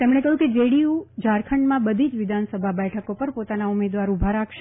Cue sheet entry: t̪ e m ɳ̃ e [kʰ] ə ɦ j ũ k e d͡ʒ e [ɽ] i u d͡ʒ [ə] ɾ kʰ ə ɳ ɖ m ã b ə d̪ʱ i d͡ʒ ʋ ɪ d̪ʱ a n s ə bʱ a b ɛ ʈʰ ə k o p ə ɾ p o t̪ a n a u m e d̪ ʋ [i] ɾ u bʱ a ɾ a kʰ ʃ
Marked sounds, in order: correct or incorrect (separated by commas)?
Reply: incorrect, correct, incorrect, incorrect